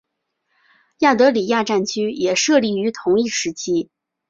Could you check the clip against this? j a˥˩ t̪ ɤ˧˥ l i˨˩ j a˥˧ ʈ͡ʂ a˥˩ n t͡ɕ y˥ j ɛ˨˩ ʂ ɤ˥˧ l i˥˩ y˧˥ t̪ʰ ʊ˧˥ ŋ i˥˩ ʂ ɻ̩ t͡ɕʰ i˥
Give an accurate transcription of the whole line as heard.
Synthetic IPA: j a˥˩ t̪ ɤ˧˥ l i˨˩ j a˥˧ ʈ͡ʂ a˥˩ n t͡ɕʰ y˥ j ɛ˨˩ ʂ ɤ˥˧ l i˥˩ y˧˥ t̪ʰ ʊ˧˥ ŋ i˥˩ ʂ ɻ̩ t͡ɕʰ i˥

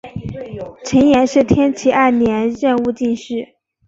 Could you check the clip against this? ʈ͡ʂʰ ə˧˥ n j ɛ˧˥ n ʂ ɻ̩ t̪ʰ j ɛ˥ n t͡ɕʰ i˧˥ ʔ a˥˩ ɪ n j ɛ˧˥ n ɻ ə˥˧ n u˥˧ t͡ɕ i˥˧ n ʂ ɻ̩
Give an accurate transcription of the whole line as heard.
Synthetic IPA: ʈ͡ʂʰ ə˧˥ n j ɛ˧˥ n ʂ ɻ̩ t̪ʰ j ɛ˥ n t͡ɕʰ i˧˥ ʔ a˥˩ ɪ n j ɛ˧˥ n ɻ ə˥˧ n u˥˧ t͡ɕ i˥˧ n ʂ ɻ̩

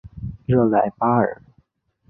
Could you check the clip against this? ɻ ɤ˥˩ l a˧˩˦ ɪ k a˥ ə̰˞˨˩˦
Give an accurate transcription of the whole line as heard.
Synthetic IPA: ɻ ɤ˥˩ l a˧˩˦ ɪ p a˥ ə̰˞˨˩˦

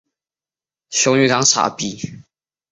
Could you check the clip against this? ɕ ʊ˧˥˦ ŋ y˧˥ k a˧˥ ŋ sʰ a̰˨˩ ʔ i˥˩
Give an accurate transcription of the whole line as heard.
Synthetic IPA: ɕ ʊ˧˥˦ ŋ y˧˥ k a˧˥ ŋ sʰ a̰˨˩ p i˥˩

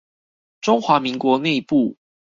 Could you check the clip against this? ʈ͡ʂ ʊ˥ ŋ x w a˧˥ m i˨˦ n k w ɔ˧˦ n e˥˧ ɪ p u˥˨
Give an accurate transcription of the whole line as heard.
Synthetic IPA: ʈ͡ʂ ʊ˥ ŋ x w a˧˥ m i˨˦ ŋ k w ɔ˧˦ n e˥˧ ɪ p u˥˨

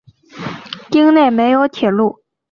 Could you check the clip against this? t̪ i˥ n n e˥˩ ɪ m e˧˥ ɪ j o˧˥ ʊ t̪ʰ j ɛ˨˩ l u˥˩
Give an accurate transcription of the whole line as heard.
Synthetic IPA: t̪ i˥ ŋ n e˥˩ ɪ m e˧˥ ɪ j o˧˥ ʊ t̪ʰ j ɛ˨˩ l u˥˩

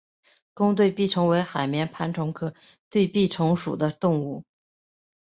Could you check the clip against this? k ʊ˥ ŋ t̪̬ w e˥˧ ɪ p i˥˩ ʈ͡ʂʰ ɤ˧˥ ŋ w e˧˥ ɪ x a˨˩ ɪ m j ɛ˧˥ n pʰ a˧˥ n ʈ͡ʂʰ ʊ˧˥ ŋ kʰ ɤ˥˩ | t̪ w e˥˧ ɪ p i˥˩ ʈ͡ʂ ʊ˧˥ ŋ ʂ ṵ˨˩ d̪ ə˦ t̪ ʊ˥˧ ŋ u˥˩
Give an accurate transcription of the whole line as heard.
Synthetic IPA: k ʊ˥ ŋ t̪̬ w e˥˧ ɪ p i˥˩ ʈ͡ʂʰ ɤ˧˥ ŋ w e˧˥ ɪ x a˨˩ ɪ m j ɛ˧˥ n pʰ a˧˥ n ʈ͡ʂʰ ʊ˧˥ ŋ kʰ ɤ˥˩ | t̪ w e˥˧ ɪ p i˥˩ ʈ͡ʂʰ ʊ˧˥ ŋ ʂ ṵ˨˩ d̪ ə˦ t̪ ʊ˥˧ ŋ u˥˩

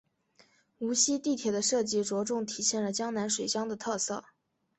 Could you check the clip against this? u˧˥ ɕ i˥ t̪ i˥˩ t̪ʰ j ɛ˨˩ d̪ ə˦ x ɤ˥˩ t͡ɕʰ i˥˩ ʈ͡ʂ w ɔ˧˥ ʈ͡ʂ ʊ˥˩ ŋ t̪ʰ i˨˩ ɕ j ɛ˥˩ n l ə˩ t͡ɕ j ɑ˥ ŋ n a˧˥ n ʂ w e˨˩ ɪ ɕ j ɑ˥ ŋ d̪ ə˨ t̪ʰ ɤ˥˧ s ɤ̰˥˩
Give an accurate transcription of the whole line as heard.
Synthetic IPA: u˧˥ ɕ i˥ t̪ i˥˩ t̪ʰ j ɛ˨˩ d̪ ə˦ ʂ ɤ˥˩ t͡ɕ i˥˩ ʈ͡ʂ w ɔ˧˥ ʈ͡ʂ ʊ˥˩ ŋ t̪ʰ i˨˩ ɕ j ɛ˥˩ n l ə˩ t͡ɕ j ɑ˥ ŋ n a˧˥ n ʂ w e˨˩ ɪ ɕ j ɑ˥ ŋ d̪ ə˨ t̪ʰ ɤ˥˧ s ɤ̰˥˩

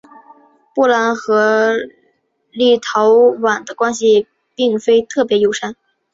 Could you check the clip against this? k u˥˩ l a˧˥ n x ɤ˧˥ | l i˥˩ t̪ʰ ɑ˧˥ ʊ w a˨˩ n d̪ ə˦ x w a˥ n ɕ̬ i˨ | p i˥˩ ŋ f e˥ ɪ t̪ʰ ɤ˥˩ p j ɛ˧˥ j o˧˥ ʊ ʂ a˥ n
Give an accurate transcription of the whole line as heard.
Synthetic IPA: p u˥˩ l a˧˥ n x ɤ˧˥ | l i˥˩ t̪ʰ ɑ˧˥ ʊ w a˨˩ n d̪ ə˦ k w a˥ n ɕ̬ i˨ | p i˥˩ ŋ f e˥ ɪ t̪ʰ ɤ˥˩ p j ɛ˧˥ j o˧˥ ʊ ʂ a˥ n

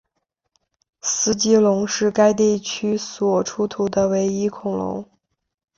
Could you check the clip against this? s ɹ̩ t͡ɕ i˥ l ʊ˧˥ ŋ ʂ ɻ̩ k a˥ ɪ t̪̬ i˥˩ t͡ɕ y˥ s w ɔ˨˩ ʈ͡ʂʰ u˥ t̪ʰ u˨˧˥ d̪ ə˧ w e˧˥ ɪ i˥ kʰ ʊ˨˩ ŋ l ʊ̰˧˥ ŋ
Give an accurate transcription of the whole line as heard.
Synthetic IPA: s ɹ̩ t͡ɕ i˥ l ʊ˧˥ ŋ ʂ ɻ̩ k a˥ ɪ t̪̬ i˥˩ t͡ɕʰ y˥ s w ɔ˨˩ ʈ͡ʂʰ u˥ t̪ʰ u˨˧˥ d̪ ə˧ w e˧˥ ɪ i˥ kʰ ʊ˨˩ ŋ l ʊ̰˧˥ ŋ

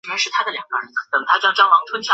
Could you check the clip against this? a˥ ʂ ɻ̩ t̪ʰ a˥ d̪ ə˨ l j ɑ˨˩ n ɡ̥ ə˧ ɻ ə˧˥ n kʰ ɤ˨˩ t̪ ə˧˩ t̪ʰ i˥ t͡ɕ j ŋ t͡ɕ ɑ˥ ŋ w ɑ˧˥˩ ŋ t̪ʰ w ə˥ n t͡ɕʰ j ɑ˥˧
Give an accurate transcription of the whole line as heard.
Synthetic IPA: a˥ ʂ ɻ̩ t̪ʰ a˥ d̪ ə˨ l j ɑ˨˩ ŋ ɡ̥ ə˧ ɻ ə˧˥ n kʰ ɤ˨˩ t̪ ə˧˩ t̪ʰ a˥ t͡ɕ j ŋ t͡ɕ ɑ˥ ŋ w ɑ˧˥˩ ŋ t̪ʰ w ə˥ n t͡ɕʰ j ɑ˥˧

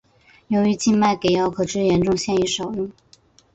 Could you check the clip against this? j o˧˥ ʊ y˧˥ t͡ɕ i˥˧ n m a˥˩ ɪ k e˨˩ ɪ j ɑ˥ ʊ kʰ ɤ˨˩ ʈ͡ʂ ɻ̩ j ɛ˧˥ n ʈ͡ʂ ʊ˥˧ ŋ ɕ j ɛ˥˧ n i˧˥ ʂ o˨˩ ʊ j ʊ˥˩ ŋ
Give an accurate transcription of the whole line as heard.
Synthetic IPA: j o˧˥ ʊ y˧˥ t͡ɕ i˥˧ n m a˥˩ ɪ k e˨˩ ɪ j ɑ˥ ʊ kʰ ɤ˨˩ ʈ͡ʂ ɻ̩ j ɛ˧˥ n ʈ͡ʂ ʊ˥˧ ŋ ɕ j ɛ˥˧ n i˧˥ ʂ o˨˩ ʊ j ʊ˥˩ ŋ

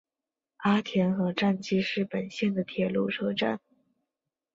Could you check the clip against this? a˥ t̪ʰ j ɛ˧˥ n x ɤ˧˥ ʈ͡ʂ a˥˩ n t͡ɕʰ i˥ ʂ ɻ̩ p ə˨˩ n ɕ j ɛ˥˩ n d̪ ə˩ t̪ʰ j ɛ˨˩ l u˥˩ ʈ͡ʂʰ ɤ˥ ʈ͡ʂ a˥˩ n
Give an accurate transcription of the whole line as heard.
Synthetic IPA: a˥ t̪ʰ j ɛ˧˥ n x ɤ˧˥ ʈ͡ʂ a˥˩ n t͡ɕ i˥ ʂ ɻ̩ p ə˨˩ n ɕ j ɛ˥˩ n d̪ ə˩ t̪ʰ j ɛ˨˩ l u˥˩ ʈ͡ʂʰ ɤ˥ ʈ͡ʂ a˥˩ n

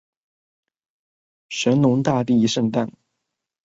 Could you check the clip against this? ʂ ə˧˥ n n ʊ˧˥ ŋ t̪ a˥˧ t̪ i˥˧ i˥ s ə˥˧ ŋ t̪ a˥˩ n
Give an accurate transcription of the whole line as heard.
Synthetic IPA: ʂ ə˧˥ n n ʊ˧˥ ŋ t̪ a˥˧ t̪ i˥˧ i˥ ʂ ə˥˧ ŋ t̪ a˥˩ n

